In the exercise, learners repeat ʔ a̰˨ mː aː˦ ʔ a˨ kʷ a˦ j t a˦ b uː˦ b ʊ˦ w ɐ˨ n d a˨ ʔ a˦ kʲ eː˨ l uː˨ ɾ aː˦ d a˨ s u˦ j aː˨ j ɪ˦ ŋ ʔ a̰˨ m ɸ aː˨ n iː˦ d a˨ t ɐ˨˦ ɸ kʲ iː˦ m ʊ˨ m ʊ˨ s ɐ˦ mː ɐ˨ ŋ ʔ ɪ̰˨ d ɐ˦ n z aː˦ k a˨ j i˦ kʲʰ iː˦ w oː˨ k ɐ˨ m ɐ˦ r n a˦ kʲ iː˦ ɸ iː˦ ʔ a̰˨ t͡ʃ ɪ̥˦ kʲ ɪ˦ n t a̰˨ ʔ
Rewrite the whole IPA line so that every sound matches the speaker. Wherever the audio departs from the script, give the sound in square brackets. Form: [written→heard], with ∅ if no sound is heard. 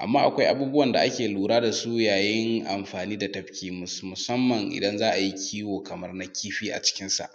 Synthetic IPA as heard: ʔ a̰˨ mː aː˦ ʔ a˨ kʷ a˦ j [t→ʔ] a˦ b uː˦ b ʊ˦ w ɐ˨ n d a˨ ʔ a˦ kʲ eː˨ l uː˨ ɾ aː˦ d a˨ s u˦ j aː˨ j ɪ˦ ŋ ʔ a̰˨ m ɸ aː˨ n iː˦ d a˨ t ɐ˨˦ ɸ kʲ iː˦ m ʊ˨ m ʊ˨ s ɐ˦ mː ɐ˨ ŋ ʔ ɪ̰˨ d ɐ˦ n z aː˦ [k→ʔ] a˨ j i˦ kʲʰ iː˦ w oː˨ k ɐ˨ m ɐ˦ r n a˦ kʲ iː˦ ɸ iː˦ ʔ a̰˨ t͡ʃ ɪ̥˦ kʲ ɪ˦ n [t→s] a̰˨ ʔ